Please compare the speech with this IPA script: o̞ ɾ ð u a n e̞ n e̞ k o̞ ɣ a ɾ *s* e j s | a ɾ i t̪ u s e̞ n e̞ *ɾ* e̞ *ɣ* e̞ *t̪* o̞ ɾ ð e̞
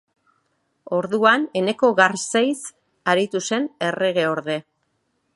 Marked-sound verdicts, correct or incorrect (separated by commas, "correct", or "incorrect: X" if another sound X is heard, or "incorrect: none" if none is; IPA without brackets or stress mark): correct, incorrect: r, correct, incorrect: none